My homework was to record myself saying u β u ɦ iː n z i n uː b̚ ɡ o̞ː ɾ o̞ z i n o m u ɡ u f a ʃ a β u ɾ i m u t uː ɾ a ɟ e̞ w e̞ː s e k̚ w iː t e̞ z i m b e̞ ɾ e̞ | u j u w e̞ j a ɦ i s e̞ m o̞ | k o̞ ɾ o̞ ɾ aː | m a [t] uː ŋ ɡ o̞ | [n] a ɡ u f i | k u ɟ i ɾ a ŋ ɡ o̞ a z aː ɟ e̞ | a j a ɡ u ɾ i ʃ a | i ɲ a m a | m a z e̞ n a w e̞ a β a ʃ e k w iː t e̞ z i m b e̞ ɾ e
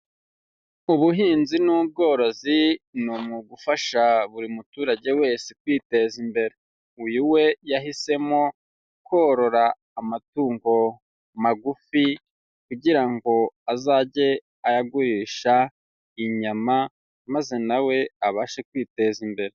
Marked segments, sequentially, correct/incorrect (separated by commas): correct, incorrect